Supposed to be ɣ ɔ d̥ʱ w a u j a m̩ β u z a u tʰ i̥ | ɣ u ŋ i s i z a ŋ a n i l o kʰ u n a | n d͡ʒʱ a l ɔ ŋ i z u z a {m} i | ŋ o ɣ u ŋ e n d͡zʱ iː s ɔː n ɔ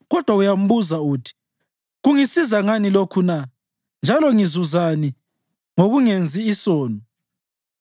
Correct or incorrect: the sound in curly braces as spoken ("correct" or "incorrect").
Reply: incorrect